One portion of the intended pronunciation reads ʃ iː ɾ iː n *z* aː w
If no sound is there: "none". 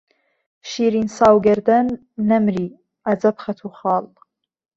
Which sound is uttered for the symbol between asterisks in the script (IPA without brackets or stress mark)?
s